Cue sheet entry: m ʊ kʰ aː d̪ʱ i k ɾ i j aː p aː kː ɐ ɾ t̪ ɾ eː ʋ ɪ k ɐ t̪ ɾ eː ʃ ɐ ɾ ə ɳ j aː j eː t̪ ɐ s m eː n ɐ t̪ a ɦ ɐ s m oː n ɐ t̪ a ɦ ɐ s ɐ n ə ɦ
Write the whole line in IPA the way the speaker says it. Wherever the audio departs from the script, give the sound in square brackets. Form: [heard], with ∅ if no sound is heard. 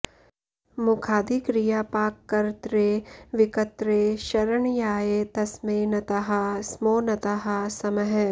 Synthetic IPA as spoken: m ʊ kʰ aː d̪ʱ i k ɾ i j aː p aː kː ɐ ɾ t̪ ɾ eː ʋ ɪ k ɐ t̪ ɾ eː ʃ ɐ ɾ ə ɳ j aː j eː t̪ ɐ s m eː n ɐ t̪ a ɦ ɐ s m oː n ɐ t̪ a ɦ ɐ s ɐ [m] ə ɦ